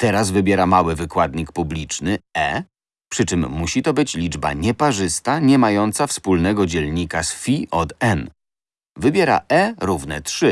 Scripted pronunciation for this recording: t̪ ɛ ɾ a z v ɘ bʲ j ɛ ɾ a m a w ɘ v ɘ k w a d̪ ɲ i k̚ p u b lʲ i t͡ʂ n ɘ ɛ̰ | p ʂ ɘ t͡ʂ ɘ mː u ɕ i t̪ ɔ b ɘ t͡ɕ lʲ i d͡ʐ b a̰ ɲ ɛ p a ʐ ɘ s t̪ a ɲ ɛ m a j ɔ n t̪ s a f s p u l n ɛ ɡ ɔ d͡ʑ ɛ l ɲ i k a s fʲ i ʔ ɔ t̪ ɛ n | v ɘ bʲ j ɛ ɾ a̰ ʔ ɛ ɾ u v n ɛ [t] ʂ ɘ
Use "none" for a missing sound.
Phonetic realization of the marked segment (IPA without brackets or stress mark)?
t